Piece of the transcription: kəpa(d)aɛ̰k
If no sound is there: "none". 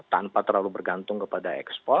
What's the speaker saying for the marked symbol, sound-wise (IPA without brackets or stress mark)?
d